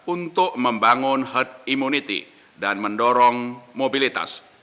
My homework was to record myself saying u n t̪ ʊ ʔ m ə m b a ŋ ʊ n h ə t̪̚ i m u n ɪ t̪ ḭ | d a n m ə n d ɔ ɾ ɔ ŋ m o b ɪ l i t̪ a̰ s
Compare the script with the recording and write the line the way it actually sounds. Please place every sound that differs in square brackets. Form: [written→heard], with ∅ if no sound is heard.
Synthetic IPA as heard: u n t̪ ʊ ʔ m ə m b a ŋ ʊ n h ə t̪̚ i m u n [ɪ→i] t̪ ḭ | d a n m ə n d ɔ ɾ ɔ ŋ m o b [ɪ→i] l i t̪ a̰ s